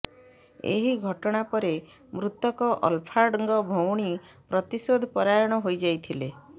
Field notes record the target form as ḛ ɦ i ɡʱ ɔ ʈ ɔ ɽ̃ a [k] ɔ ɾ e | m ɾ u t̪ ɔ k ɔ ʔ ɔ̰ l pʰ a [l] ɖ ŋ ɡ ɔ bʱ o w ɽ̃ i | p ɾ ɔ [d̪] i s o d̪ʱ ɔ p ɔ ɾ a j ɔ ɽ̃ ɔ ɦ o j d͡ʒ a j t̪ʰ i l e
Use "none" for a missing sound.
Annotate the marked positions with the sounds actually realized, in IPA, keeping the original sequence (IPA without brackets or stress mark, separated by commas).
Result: p, ɾ, t̪